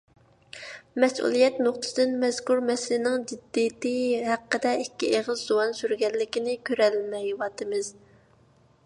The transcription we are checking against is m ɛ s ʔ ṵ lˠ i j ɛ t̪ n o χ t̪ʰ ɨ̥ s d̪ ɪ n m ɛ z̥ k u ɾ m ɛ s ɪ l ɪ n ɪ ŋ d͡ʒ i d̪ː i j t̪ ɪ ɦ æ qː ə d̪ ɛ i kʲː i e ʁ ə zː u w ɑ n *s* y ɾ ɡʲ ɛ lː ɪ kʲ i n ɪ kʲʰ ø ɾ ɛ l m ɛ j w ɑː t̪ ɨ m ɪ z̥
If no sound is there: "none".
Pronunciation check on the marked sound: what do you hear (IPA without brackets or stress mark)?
s